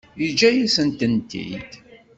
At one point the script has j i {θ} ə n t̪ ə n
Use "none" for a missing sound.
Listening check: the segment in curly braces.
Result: s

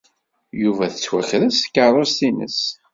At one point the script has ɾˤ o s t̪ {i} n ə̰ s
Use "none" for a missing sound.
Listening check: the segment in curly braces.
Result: i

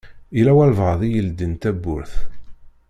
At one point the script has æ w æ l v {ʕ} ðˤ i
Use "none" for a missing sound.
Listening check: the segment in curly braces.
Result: ʁ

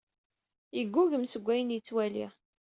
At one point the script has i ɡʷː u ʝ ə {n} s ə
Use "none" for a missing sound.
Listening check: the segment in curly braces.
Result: m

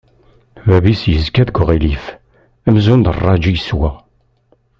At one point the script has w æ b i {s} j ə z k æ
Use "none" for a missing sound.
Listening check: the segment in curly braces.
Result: s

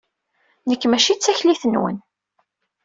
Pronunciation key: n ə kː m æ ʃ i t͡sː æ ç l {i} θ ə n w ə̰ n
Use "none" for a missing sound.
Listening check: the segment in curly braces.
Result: i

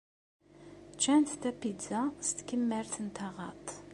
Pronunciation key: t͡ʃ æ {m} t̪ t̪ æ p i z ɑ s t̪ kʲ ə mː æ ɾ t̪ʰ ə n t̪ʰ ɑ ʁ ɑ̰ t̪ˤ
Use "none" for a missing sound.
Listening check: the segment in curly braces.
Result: n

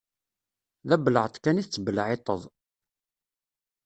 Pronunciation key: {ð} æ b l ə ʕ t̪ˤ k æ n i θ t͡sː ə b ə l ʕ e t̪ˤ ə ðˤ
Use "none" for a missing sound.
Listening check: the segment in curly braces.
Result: ð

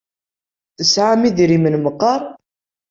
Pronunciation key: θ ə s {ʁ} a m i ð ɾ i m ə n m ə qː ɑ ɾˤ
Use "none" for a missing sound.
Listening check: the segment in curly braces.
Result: ʕ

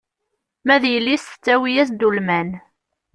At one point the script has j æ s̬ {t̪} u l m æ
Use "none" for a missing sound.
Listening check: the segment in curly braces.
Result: d̪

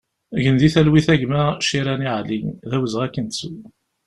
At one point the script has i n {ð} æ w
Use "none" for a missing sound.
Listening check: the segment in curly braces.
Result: ð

